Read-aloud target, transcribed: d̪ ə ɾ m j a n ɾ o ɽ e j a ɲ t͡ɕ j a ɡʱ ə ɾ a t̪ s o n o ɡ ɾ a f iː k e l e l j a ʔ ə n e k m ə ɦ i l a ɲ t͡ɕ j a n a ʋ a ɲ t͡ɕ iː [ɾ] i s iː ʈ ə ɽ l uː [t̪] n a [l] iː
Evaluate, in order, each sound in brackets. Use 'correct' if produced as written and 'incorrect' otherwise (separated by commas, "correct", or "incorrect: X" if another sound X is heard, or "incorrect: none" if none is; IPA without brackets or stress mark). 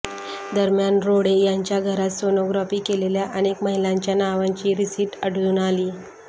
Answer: correct, incorrect: none, correct